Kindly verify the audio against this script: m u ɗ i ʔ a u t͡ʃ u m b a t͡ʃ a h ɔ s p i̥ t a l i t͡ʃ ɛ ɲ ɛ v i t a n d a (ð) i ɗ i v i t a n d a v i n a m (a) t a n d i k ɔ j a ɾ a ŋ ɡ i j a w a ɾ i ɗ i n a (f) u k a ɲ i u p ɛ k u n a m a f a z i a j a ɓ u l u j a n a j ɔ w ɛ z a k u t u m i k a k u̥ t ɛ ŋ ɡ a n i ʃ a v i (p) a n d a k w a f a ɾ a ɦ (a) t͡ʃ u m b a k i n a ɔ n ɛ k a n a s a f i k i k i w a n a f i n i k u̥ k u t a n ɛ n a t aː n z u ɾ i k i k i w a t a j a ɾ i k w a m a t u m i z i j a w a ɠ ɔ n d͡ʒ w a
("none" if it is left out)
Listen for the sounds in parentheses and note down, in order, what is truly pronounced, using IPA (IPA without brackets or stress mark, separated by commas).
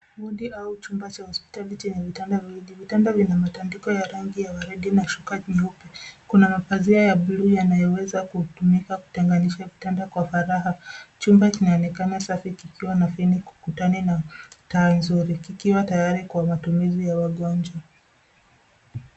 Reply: v, a, ʃ, t, a